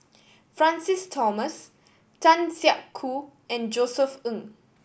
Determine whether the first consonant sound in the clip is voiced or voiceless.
voiceless